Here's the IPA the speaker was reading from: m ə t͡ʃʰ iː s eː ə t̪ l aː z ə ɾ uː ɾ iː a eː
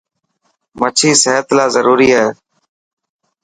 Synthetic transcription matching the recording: m ə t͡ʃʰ iː s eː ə t̪ l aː z ə ɾ uː ɾ iː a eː